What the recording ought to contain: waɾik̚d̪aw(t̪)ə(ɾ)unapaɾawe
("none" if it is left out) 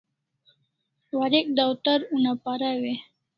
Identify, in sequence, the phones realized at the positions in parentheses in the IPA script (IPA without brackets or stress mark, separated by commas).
t̪, ɾ